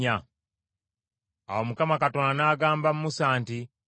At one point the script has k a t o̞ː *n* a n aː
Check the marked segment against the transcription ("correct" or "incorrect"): correct